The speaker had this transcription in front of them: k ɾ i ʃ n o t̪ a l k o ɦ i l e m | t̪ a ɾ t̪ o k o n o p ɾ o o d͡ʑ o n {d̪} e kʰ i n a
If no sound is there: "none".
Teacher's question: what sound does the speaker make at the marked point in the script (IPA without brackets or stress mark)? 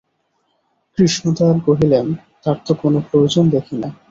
d̪